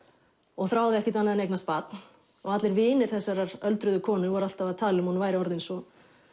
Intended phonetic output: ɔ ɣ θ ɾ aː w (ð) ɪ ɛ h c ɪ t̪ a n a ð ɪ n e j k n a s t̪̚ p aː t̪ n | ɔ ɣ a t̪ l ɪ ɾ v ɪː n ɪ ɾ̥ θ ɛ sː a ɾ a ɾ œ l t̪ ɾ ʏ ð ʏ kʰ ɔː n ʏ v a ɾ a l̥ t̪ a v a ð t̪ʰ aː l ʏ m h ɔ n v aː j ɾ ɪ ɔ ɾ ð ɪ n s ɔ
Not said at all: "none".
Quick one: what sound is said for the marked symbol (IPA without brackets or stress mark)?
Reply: ð